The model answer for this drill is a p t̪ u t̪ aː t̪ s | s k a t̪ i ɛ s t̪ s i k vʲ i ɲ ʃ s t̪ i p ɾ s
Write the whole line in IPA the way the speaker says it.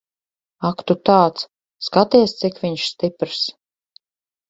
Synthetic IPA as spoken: a k t̪ u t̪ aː t̪ s | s k a t̪ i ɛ s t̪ s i k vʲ i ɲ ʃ s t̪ i p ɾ s